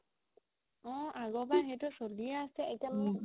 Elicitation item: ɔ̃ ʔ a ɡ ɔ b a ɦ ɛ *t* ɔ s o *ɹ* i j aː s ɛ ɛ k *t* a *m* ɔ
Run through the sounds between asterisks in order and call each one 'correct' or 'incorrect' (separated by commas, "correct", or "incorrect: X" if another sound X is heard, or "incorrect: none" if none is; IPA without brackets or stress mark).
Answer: correct, incorrect: l, correct, correct